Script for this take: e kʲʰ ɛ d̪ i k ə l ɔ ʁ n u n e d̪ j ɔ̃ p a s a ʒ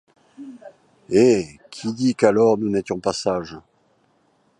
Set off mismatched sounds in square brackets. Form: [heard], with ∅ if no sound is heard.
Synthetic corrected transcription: e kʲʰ [i] d̪ i k [a] l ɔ ʁ n u n e [t̪] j ɔ̃ p a s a ʒ